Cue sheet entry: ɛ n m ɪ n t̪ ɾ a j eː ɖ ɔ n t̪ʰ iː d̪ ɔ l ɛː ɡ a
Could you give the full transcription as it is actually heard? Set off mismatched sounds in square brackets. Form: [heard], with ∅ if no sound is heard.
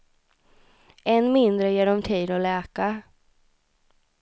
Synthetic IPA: ɛ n m ɪ n [d̪] ɾ [ə] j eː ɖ ɔ [m] t̪ʰ iː d̪ ɔ l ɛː [k] a